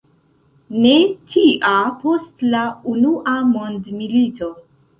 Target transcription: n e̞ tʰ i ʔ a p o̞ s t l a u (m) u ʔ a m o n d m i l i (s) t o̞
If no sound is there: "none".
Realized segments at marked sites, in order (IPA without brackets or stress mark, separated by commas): n, none